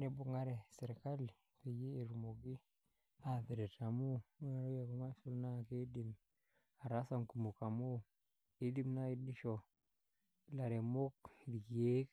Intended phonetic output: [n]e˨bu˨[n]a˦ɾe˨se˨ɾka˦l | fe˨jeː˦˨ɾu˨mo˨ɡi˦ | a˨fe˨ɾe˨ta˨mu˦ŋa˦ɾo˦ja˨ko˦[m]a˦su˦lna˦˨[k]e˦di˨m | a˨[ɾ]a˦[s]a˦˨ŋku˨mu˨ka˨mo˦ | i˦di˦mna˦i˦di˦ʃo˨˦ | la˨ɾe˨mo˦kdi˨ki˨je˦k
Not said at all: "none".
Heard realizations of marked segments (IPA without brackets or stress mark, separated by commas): n, ŋ, m, k, ɾ, s